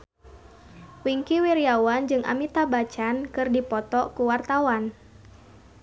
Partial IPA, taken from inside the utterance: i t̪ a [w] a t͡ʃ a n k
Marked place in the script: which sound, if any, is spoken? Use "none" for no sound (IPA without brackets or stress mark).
b